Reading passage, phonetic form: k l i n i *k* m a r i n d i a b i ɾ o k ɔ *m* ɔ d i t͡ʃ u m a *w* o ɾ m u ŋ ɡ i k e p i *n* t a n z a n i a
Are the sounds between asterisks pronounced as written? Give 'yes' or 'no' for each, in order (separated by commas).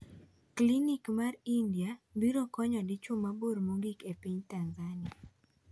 yes, no, no, no